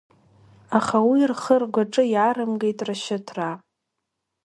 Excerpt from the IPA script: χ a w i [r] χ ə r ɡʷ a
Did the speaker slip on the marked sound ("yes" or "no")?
no